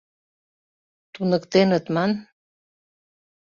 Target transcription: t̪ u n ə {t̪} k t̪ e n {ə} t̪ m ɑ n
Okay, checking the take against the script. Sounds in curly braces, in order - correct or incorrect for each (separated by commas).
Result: incorrect, correct